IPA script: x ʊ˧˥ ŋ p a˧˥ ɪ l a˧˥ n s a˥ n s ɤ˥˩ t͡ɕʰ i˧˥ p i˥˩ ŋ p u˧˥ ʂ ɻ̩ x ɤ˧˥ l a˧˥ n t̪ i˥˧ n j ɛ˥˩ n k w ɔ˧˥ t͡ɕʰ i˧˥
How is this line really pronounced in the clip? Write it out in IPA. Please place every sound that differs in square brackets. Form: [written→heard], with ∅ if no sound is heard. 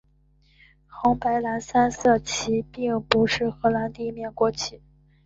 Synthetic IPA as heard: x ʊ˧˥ ŋ p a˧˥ ɪ l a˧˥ n s a˥ n s ɤ˥˩ t͡ɕʰ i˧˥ p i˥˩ ŋ p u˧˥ ʂ ɻ̩ x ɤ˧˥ l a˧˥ n t̪ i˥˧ [n→m] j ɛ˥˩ n k w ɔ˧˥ t͡ɕʰ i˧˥